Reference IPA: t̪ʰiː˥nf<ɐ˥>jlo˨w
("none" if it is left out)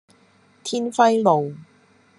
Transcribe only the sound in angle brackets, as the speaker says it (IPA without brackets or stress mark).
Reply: ɐ˥